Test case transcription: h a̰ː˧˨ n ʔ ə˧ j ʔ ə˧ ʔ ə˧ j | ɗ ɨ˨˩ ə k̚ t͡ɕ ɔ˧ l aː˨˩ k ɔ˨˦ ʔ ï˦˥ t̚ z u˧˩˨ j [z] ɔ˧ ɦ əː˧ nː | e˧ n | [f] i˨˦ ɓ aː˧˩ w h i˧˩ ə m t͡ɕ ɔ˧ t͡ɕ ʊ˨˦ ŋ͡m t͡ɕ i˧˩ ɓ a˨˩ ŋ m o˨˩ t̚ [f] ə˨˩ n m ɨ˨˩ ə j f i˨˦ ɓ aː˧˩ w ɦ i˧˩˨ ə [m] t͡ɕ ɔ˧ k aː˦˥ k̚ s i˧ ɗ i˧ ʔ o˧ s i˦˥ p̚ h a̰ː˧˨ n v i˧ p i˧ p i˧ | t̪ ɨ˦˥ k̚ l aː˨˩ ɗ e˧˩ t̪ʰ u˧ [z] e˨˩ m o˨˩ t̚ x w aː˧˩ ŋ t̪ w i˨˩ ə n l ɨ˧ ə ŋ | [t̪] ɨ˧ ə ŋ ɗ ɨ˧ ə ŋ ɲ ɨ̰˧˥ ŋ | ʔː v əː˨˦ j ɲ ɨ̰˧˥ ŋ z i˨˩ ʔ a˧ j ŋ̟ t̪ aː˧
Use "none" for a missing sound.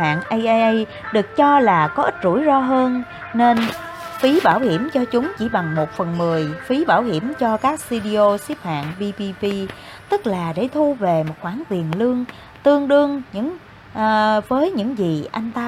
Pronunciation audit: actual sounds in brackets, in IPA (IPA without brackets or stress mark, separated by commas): z, f, f, m, v, t̪